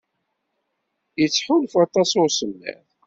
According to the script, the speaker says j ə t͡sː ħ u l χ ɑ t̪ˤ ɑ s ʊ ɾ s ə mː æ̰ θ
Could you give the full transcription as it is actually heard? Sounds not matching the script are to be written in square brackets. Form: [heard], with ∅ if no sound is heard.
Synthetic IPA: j ə t͡sː ħ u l [f] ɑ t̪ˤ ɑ s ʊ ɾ s ə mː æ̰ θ